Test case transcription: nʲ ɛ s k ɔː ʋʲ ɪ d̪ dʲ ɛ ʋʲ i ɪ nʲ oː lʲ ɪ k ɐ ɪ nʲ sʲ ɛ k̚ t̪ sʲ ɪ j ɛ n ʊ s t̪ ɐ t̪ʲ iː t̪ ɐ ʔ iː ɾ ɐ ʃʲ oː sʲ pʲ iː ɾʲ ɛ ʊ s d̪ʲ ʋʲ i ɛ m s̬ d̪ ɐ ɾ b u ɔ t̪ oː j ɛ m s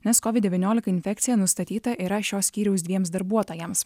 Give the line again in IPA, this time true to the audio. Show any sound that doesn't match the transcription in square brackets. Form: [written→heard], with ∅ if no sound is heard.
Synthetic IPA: nʲ ɛ s k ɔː ʋʲ ɪ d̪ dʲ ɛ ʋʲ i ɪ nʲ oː lʲ ɪ k ɐ ɪ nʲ [sʲ→fʲ] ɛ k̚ t̪ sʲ ɪ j ɛ n ʊ s t̪ ɐ t̪ʲ iː t̪ ɐ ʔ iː ɾ ɐ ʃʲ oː sʲ [pʲ→kʲ] iː ɾʲ ɛ ʊ s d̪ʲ ʋʲ i ɛ m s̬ d̪ ɐ ɾ b u ɔ t̪ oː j ɛ m s